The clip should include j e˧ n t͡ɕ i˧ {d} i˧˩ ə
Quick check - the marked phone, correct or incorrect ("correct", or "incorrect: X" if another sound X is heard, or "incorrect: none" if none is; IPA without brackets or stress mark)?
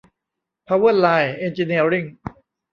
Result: incorrect: n